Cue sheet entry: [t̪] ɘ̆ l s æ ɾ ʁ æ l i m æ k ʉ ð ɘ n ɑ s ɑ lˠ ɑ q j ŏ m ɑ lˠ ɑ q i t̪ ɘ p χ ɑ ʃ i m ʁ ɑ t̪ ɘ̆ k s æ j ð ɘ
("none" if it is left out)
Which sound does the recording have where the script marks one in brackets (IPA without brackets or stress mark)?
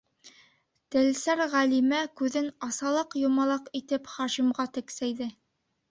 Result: t̪